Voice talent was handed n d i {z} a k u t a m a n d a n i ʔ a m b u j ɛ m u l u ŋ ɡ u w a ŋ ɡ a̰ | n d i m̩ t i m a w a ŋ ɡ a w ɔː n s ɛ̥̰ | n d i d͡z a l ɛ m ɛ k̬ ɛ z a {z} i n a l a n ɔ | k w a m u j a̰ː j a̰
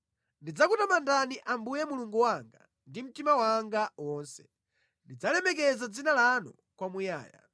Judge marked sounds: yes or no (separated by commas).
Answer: no, no